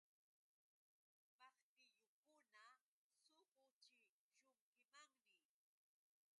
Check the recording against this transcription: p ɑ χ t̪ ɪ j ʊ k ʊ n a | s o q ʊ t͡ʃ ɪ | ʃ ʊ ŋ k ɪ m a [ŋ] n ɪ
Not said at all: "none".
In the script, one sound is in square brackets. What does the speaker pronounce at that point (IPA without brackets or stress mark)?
ŋ